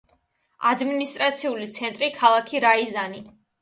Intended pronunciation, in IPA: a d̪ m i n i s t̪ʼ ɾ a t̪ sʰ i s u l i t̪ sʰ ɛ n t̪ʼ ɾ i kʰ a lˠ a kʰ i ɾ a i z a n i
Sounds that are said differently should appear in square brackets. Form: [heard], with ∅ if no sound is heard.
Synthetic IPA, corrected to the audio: a d̪ m i n i s t̪ʼ ɾ a t̪ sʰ i [∅] u l i t̪ sʰ ɛ n t̪ʼ ɾ i kʰ a lˠ a kʰ i ɾ a i z a n i